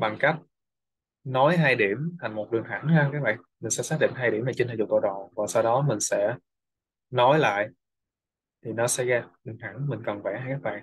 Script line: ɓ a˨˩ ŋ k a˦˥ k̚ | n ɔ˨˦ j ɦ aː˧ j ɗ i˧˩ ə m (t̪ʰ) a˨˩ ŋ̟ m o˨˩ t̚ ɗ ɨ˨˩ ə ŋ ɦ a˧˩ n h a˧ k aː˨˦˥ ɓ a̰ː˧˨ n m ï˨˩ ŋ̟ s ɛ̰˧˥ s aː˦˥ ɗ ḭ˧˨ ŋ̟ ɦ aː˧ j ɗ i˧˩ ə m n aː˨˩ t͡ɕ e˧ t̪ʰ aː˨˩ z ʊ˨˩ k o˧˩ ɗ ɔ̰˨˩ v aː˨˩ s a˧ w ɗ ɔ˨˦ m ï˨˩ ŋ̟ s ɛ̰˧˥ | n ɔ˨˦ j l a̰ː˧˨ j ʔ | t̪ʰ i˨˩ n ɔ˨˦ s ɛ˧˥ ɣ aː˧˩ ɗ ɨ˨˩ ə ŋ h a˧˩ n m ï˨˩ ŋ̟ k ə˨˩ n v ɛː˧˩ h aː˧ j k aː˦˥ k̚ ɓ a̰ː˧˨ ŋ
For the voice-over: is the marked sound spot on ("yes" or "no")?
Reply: yes